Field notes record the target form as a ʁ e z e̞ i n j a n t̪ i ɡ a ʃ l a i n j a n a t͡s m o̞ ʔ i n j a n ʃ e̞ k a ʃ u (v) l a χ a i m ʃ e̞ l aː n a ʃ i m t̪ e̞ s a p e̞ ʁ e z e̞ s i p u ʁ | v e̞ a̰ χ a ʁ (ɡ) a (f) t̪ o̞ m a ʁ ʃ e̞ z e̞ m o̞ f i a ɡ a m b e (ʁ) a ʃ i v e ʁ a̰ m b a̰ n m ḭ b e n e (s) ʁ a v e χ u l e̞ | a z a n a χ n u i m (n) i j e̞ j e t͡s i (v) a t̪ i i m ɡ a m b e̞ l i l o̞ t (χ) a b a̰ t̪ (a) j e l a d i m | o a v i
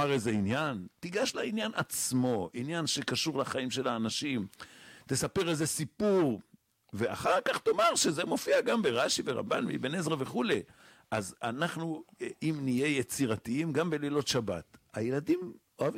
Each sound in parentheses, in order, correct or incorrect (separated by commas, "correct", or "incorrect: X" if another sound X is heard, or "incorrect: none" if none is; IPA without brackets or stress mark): incorrect: ʁ, incorrect: k, incorrect: χ, correct, incorrect: z, correct, incorrect: ʁ, incorrect: ʃ, correct